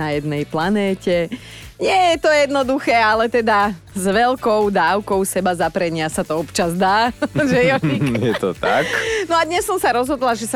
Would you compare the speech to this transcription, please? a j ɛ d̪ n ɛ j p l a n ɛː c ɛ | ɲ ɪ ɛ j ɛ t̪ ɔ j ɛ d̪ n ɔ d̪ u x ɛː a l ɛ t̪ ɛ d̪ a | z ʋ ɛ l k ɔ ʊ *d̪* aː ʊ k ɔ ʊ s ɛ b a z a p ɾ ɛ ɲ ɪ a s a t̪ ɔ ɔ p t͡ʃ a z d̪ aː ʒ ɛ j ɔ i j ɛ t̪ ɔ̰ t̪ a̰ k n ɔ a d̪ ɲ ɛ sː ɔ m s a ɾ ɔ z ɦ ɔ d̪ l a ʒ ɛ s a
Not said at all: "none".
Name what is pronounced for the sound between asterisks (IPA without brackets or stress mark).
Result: d̪